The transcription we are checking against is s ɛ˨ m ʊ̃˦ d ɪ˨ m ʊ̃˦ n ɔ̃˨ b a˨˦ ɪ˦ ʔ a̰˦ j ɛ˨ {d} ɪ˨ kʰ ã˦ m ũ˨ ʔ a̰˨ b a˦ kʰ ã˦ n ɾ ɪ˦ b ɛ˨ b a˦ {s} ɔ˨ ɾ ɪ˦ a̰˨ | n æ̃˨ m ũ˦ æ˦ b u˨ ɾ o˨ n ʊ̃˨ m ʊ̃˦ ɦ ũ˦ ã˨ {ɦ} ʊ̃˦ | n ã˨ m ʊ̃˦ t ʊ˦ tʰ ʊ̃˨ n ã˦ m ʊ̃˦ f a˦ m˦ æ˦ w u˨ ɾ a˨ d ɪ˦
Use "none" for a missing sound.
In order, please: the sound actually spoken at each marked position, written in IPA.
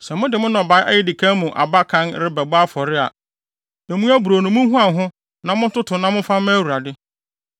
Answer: d, f, ɦ

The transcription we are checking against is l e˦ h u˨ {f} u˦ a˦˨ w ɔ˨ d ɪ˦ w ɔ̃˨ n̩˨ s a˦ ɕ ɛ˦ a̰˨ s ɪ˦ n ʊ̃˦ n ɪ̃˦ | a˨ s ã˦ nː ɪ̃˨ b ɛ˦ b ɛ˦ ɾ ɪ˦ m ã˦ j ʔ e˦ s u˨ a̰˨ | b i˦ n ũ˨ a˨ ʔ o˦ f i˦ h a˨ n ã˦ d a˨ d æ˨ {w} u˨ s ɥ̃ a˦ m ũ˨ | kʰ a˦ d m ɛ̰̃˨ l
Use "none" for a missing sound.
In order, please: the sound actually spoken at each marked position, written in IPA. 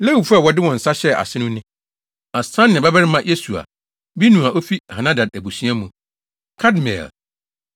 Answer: f, b

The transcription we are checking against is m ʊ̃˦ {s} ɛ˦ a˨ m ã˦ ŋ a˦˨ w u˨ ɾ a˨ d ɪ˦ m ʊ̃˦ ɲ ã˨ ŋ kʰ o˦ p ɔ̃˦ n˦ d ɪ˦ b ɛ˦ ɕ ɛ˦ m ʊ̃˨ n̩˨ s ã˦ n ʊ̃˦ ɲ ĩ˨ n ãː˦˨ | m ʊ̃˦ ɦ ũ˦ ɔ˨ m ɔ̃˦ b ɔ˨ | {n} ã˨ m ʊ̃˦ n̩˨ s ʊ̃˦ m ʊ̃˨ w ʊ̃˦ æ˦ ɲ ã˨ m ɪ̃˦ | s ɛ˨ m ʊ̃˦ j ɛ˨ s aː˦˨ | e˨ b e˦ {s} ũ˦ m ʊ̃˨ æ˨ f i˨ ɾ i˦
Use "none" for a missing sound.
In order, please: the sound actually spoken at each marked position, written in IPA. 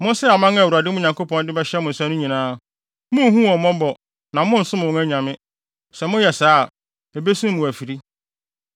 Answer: s, n, s

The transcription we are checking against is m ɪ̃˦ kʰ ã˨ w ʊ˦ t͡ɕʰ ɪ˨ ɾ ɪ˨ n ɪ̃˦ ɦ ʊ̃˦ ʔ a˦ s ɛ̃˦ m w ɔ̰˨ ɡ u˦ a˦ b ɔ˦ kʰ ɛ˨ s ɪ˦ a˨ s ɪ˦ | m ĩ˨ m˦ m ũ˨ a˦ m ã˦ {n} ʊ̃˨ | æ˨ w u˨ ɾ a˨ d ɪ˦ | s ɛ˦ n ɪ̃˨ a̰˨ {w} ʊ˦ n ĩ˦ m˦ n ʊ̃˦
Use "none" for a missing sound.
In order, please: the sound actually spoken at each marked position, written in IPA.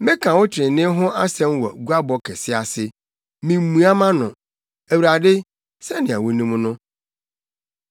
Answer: n, w

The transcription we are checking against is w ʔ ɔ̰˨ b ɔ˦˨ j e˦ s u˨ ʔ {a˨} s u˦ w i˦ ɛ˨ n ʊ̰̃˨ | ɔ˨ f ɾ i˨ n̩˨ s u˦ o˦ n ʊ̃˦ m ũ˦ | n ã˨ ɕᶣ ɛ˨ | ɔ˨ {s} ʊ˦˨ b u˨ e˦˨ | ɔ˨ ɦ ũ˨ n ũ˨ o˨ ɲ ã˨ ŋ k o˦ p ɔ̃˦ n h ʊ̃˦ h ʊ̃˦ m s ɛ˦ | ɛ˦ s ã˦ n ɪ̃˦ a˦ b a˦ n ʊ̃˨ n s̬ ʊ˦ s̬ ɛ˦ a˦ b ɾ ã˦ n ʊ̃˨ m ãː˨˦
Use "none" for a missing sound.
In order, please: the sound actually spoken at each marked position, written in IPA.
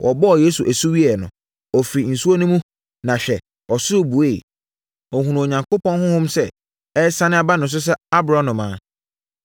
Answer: æ˨, s

